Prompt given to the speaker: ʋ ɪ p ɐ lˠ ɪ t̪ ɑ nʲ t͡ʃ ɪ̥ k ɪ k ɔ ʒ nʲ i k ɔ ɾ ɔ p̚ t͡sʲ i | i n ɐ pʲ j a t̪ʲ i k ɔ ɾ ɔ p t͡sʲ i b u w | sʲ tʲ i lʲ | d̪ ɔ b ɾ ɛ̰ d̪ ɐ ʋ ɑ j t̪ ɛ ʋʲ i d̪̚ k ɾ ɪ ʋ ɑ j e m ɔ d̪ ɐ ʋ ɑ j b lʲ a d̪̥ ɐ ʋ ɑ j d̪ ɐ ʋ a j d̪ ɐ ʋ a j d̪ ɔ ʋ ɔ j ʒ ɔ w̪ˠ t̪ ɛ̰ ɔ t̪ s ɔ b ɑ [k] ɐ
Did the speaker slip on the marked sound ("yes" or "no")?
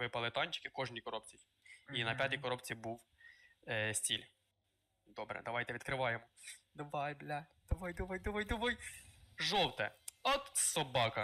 no